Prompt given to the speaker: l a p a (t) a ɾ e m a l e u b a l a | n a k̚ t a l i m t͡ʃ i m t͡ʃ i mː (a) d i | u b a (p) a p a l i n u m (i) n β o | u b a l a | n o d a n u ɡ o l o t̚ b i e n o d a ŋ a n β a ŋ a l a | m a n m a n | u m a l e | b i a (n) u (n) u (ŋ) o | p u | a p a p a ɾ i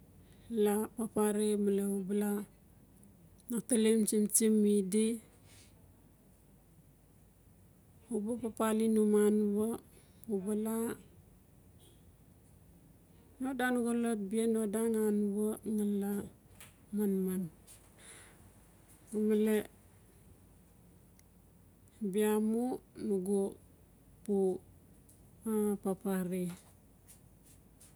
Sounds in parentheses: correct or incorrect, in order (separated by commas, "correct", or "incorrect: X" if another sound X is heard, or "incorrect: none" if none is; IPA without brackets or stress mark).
incorrect: p, incorrect: i, correct, incorrect: a, incorrect: m, correct, incorrect: ɡ